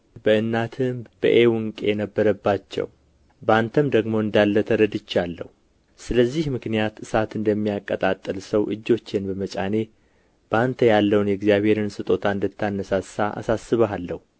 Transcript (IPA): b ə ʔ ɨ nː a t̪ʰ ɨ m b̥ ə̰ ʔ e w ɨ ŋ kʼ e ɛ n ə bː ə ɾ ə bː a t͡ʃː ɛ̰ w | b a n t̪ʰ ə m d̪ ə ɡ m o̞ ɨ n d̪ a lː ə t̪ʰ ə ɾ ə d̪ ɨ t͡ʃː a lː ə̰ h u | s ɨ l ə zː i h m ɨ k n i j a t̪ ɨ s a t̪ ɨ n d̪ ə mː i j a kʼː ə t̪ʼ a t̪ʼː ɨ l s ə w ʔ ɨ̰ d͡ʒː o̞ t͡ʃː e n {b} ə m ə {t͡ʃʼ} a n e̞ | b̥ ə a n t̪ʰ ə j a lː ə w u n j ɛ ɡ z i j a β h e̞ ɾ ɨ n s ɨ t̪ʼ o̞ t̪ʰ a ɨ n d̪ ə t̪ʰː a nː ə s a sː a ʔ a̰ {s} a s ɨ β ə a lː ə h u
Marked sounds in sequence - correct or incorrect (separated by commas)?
correct, correct, correct